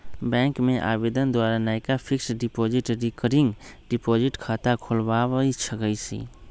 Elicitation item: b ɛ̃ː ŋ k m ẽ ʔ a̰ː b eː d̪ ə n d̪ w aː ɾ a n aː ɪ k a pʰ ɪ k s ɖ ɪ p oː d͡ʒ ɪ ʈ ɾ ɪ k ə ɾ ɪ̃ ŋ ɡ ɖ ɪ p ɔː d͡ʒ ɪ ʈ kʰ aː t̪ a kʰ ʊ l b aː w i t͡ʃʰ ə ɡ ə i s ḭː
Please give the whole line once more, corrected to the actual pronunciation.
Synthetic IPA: b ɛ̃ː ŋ k m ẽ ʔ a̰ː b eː d̪ ə n d̪ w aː ɾ a n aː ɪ k a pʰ ɪ k s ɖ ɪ p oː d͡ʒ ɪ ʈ ɾ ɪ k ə ɾ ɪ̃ ŋ ɡ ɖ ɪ p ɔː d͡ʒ ɪ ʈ kʰ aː t̪ a kʰ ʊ l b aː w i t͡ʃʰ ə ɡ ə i s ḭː

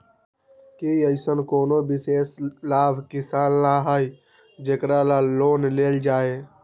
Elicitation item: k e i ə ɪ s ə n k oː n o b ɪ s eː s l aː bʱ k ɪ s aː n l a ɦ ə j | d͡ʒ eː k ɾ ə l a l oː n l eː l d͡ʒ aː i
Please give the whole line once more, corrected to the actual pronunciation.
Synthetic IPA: k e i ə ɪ s ə n k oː n o b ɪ s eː s l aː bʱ k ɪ s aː n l a ɦ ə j | d͡ʒ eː k ɾ a l a l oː n l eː l d͡ʒ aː e

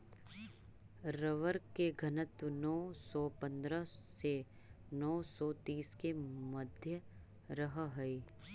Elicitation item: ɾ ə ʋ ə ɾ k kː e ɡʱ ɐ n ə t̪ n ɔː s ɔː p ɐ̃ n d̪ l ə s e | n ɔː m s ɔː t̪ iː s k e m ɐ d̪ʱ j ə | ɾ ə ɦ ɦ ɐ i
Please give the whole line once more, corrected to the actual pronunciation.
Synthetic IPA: ɾ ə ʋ ə ɾ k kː e ɡʱ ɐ n ə t̪ n ɔː s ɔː p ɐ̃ n d̪ ɾ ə s e | n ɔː s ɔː t̪ iː s k e m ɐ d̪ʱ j ə | ɾ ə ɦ ɦ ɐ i

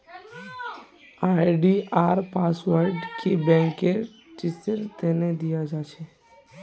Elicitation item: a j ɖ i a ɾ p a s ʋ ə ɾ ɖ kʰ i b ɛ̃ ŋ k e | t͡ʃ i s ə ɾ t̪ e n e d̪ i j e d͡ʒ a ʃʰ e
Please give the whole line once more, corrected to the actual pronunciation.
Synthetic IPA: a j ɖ i a ɾ p a s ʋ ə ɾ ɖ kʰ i b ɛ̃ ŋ k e | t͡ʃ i s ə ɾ t̪ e n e d̪ i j a d͡ʒ a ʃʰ e

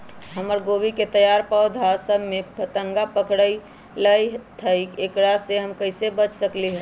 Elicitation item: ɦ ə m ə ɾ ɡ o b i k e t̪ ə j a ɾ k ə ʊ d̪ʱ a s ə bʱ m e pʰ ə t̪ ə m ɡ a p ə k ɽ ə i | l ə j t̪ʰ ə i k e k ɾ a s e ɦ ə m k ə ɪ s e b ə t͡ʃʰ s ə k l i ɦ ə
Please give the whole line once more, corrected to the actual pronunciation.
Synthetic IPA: ɦ ə m ə ɾ ɡ o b i k e t̪ ə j a ɾ p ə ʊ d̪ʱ a s ə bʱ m e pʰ ə t̪ ə ŋ ɡ a p ə k ɽ ə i | l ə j t̪ʰ ə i k e k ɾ a s e ɦ ə m k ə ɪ s e b ə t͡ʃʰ s ə k l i ɦ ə

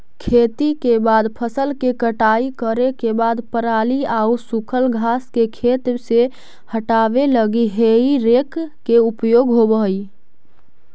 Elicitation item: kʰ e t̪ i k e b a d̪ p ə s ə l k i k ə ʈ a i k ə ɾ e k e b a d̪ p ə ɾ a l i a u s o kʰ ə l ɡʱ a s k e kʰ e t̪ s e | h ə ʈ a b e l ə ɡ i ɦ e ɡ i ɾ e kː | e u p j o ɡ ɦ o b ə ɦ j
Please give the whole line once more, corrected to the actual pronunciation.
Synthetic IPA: kʰ e t̪ i k e b a d̪ pʰ ə s ə l k e k ə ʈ a i k ə ɾ e k e b a d̪ p ə ɾ a l i a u s u kʰ ə l ɡʱ a s k e kʰ e t̪ s e | h ə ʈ a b e l ə ɡ i ɦ e i ɾ e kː | e u p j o ɡ ɦ o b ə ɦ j

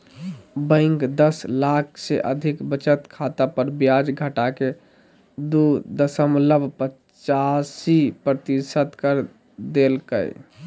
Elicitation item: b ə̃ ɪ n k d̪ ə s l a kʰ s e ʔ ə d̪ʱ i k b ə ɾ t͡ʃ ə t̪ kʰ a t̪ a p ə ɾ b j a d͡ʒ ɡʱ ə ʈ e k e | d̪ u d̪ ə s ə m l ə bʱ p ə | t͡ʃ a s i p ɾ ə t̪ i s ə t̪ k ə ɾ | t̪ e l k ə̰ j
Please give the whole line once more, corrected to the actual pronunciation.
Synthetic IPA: b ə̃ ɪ ŋ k d̪ ə s l a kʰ s e ʔ ə d̪ʱ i k b ə t͡ʃ ə t̪ kʰ a t̪ a p ə ɾ b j a d͡ʒ ɡʱ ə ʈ a k e | d̪ u d̪ ə s ə m l ə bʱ p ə | t͡ʃ a s i p ɾ ə t̪ i s ə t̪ k ə ɾ | d̪ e l k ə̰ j

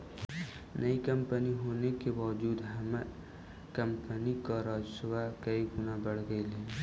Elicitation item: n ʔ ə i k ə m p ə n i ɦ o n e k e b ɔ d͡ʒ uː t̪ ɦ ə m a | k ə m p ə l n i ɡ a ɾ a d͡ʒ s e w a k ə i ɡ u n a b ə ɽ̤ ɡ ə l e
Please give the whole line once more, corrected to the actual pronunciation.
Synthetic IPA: n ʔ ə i k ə m p ə n i ɦ o n e k e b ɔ d͡ʒ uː d̪ ɦ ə m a | k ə m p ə n i k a ɾ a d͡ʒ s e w a k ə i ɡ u n a b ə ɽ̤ ɡ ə l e

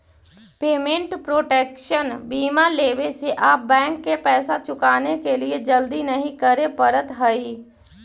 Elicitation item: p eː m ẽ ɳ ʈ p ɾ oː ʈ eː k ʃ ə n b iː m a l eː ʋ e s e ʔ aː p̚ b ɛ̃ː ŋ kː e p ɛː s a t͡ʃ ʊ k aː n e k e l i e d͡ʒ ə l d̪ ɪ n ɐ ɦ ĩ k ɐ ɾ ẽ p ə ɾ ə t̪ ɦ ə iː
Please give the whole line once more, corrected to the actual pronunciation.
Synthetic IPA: p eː m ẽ ɳ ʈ p ɾ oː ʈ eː k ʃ ə n b iː m a l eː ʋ e s e ʔ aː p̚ b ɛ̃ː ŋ kː e p ɛː s a t͡ʃ ʊ k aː n e k e l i e d͡ʒ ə l d̪ i n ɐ ɦ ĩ k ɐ ɾ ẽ p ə ɾ ə t̪ ɦ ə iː

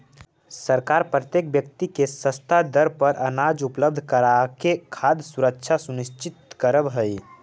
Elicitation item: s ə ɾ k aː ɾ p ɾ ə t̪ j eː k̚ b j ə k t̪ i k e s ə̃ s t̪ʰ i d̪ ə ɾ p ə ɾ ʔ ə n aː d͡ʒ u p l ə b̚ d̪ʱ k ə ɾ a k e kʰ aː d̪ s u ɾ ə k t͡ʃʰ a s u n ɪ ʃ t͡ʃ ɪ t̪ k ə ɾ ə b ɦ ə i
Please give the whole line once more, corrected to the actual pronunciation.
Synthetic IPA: s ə ɾ k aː ɾ p ɾ ə t̪ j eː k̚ b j ə k t̪ i k e s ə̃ s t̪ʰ a d̪ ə ɾ p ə ɾ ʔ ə n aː d͡ʒ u p l ə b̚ d̪ʱ k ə ɾ a k e kʰ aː d̪ s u ɾ ə k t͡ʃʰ a s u n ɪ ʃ t͡ʃ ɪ t̪ k ə ɾ ə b ɦ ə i

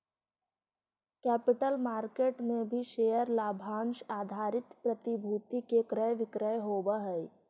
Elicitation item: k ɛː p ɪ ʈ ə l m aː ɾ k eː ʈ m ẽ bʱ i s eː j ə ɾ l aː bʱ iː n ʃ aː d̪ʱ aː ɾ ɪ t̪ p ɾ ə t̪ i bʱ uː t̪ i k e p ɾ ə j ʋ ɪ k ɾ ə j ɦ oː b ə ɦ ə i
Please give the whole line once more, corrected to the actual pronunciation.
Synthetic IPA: k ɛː p ɪ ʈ ə l m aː ɾ k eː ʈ m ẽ bʱ i ʃ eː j ə ɾ l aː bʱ aː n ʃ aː d̪ʱ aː ɾ ɪ t̪ p ɾ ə t̪ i bʱ uː t̪ i k e k ɾ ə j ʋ ɪ k ɾ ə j ɦ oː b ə ɦ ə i

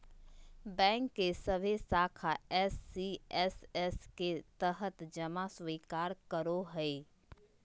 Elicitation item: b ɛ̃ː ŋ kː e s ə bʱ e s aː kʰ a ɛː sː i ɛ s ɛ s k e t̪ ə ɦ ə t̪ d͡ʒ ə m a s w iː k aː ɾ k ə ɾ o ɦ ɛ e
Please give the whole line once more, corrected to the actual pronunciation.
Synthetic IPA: b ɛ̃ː ŋ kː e s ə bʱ e s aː kʰ a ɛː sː i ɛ s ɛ s k e t̪ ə ɦ ə t̪ d͡ʒ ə m a s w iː k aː ɾ k ə ɾ o ɦ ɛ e

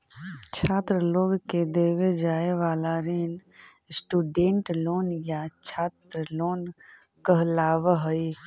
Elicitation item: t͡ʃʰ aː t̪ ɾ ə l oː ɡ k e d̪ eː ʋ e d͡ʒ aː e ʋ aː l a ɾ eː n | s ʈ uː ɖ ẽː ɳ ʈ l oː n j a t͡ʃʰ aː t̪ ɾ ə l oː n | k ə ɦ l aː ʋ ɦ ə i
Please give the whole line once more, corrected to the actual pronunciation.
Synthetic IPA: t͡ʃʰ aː t̪ ɾ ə l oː ɡ k e d̪ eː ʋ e d͡ʒ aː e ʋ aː l a ɾ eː n | s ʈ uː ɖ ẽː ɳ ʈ l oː n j a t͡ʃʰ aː t̪ ɾ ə l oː n | k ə ɦ l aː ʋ ɦ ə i

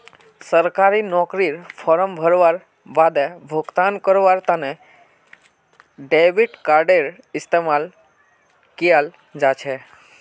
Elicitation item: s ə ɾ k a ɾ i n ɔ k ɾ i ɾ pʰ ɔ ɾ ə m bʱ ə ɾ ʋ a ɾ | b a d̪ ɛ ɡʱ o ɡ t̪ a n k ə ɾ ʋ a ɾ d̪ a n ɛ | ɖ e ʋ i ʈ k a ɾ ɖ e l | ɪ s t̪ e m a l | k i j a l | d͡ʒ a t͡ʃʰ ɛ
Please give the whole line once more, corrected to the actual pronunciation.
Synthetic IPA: s ə ɾ k a ɾ i n ɔ k ɾ i ɾ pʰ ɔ ɾ ə m bʱ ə ɾ ʋ a ɾ | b a d̪ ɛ bʱ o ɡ t̪ a n k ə ɾ ʋ a ɾ t̪ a n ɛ | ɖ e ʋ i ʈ k a ɾ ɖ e ɾ | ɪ s t̪ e m a l | k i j a l | d͡ʒ a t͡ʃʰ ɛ

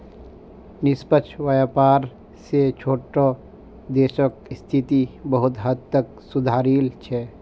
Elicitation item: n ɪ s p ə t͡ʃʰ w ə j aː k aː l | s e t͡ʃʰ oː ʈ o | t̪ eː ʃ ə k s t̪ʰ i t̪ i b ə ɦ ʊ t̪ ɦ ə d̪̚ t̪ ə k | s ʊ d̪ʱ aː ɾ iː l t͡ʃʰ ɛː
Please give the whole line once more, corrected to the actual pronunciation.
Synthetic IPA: n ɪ s p ə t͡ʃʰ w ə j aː p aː ɾ | s e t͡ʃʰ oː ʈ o | d̪ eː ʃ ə k s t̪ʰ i t̪ i b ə ɦ ʊ t̪ ɦ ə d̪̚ t̪ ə k | s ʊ d̪ʱ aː ɾ iː l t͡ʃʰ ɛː

